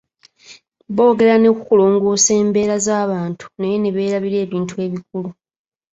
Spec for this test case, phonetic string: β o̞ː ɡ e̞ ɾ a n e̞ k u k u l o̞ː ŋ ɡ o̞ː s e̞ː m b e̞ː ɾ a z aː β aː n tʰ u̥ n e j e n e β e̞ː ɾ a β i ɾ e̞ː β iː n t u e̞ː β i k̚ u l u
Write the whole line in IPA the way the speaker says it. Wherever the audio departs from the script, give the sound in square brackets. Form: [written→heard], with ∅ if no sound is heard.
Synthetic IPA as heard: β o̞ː ɡ e̞ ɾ a n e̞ k u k u l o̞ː ŋ ɡ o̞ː s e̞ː m b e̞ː ɾ a z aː β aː n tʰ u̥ n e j e n e β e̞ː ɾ a β i ɾ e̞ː β iː n t u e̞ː β i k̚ u l u